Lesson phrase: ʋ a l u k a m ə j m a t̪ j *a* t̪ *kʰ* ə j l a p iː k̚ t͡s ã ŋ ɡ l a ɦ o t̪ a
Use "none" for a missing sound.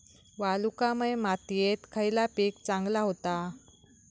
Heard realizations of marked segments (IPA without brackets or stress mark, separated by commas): e, kʰ